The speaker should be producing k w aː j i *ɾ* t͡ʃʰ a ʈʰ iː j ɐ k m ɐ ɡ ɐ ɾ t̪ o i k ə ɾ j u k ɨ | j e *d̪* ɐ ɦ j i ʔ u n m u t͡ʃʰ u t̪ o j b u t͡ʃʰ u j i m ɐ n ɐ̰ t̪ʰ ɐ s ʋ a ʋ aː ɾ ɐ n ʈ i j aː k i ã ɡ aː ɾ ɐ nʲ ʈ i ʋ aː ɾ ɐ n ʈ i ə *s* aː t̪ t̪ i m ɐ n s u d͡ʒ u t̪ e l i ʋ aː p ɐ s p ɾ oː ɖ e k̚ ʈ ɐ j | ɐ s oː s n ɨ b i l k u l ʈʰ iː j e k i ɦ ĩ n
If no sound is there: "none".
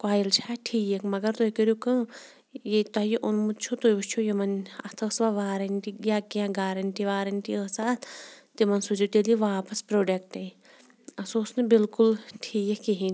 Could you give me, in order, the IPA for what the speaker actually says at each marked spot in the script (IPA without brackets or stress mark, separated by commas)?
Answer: l, t̪, s